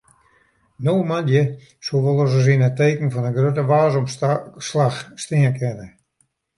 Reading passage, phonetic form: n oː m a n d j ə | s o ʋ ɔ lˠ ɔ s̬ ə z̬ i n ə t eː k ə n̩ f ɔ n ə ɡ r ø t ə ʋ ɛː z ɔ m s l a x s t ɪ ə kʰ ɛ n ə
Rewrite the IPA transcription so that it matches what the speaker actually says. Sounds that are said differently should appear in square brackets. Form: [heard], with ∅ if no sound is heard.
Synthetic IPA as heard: n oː m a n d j ə | s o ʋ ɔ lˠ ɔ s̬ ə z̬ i n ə t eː k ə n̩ f ɔ n ə ɡ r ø t ə ʋ [aː] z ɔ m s l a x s t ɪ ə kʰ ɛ n ə